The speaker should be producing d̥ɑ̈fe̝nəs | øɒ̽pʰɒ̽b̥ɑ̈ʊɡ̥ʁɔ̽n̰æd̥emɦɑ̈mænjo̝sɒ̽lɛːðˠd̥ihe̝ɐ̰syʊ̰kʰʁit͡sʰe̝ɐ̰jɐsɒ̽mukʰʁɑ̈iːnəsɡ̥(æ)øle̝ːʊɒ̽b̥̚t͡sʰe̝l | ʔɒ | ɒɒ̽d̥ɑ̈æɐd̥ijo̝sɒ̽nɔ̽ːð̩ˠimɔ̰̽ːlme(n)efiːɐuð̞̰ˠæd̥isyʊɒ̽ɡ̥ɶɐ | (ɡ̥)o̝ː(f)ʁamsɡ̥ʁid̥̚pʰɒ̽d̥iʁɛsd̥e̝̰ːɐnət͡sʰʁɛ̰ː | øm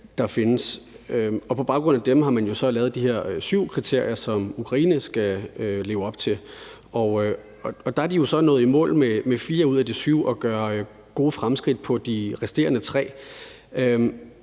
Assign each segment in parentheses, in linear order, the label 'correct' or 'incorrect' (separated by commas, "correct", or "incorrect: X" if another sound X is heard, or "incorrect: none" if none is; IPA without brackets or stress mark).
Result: correct, incorrect: m, correct, correct